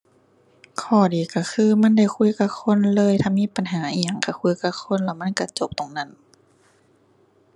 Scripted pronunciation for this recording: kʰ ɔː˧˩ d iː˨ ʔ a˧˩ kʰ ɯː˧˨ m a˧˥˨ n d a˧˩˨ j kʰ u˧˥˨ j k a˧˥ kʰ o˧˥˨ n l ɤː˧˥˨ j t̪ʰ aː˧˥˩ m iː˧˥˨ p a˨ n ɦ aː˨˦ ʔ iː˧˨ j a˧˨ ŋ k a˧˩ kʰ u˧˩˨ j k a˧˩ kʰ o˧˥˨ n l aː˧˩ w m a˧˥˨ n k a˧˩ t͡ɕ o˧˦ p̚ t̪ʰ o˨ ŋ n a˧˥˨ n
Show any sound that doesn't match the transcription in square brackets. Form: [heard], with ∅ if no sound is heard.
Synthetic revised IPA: kʰ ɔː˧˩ d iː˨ [k] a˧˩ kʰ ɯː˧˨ m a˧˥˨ n d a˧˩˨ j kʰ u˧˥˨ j k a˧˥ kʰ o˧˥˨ n l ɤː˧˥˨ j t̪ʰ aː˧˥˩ m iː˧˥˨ p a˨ n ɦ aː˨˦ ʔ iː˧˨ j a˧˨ ŋ k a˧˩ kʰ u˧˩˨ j k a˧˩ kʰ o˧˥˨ n l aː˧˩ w m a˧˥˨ n k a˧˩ t͡ɕ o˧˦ p̚ [t̪] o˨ ŋ n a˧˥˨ n